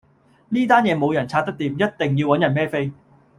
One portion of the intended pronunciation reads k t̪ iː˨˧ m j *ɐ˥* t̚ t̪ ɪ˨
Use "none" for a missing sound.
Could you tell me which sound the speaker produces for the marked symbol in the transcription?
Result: ɐ˥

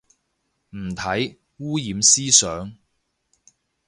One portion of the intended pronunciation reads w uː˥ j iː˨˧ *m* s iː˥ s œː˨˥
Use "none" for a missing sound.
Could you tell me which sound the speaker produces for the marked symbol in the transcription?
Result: m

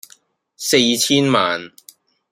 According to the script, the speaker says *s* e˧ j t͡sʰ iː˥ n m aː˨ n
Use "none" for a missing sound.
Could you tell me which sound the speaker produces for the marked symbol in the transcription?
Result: s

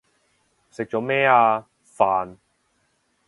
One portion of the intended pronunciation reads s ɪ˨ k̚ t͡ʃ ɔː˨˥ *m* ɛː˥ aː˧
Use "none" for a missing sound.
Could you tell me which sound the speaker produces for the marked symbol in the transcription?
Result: m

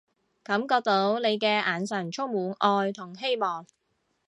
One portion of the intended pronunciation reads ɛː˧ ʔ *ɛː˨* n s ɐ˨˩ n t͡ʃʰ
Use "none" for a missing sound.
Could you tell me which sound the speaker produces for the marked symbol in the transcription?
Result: aː˨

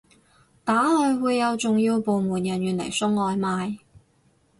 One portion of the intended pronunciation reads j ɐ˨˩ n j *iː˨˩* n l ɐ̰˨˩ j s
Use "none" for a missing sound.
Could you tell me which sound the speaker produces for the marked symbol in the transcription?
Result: yː˨˩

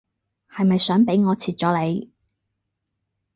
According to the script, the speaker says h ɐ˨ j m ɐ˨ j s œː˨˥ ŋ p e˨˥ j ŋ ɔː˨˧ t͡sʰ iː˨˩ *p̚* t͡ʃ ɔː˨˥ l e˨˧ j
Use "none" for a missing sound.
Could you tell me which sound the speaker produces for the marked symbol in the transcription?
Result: t̚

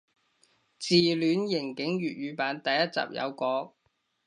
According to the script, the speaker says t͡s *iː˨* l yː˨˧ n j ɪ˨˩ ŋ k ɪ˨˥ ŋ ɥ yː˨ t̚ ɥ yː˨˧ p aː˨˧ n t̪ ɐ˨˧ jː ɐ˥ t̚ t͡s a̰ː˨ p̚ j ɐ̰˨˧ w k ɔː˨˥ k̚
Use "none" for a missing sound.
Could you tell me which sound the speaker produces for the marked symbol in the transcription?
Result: iː˨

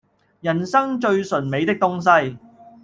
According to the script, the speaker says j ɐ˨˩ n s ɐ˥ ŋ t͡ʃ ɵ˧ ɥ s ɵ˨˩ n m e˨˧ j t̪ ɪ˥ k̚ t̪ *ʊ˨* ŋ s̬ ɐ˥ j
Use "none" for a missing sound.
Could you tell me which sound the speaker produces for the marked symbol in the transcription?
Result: ʊ˥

